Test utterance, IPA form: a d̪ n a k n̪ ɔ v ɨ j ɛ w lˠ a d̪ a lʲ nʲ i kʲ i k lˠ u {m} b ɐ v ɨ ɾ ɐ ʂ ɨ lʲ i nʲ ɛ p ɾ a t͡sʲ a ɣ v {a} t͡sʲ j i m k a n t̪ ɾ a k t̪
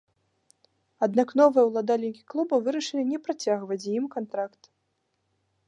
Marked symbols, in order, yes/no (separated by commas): no, no